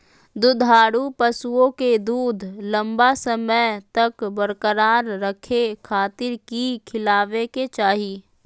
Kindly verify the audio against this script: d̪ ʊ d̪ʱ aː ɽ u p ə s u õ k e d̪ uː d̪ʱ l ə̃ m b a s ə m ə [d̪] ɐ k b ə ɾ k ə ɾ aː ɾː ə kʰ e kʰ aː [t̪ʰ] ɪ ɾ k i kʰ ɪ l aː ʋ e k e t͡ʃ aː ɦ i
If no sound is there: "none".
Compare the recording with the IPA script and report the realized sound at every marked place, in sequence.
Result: t̪, t̪

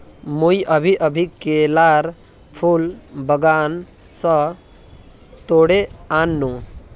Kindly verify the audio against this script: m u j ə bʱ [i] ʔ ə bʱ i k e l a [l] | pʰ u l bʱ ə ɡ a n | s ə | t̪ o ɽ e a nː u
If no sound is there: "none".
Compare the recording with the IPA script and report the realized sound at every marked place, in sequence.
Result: i, ɾ

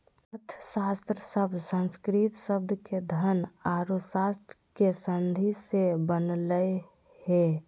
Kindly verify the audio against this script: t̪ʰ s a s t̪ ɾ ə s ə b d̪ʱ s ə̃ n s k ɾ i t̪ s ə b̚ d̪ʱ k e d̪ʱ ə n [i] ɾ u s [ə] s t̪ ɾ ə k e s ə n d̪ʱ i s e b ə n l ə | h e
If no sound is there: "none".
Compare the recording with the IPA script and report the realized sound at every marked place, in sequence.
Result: a, a

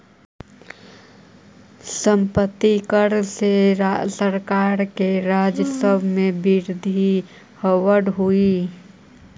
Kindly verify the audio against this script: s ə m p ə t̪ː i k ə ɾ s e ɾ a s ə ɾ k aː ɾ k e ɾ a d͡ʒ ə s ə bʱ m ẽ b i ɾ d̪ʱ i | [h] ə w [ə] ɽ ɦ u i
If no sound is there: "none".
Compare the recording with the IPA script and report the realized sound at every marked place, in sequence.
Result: h, ə

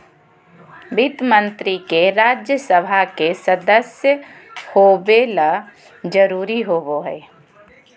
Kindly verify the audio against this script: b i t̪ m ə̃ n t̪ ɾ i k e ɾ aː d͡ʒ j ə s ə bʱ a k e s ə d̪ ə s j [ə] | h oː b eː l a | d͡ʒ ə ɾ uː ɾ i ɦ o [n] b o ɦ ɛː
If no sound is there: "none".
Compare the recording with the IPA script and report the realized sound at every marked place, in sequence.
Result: ə, none

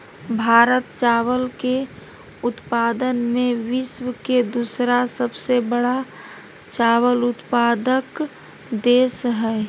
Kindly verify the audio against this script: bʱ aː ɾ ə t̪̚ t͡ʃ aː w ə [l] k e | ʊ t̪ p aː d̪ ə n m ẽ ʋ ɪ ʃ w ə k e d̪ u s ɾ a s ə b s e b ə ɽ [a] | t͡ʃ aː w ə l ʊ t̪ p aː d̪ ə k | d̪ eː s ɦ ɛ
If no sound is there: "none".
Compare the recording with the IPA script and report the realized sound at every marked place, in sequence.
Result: l, a

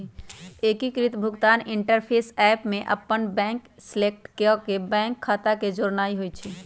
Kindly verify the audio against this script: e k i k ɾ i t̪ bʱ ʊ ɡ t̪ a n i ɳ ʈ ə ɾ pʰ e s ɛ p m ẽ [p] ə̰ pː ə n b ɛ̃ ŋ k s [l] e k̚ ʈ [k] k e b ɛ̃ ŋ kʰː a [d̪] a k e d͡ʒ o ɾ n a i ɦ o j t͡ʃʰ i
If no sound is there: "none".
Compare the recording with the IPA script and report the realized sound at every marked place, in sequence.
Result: ʔ, l, k, t̪

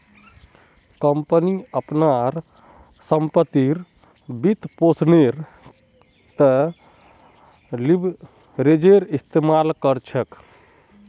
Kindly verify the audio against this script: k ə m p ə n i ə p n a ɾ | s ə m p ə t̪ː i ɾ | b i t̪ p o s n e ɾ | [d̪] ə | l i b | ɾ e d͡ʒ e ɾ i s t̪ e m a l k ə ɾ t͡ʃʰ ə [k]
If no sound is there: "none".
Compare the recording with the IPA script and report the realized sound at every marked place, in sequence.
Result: t̪, k

